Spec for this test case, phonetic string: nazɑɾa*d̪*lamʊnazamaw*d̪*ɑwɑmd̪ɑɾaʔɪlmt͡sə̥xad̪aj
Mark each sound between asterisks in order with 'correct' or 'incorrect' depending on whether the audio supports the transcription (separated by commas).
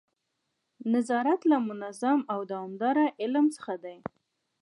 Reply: incorrect, correct